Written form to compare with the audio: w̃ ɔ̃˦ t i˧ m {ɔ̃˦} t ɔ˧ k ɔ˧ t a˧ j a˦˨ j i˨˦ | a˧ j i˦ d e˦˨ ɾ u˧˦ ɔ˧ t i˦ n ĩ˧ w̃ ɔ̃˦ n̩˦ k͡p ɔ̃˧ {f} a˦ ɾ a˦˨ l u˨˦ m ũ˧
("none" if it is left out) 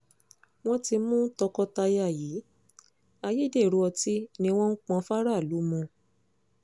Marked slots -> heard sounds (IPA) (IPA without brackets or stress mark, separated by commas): ũ˦, f